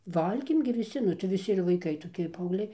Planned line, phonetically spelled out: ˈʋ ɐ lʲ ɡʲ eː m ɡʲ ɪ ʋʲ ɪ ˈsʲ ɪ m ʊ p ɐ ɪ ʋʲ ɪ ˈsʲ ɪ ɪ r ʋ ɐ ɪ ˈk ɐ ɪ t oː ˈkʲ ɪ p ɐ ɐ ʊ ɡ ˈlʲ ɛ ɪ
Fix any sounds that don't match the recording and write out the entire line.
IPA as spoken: ˈʋ ɐ lʲ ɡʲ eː m ɡʲ ɪ ʋʲ ɪ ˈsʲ ɪ n ʊ t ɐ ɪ ʋʲ ɪ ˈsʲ ɪ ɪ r ʋ ɐ ɪ ˈk ɐ ɪ t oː ˈkʲ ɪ p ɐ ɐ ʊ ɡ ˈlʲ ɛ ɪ